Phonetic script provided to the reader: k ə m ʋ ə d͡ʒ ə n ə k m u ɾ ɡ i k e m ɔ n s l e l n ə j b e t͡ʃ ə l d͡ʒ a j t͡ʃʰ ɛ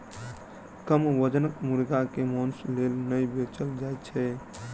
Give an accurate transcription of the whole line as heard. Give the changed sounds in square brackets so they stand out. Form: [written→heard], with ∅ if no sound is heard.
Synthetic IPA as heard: k ə m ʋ ə d͡ʒ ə n ə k m u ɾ ɡ [i→a] k e m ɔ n s l e l n ə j b e t͡ʃ ə l d͡ʒ a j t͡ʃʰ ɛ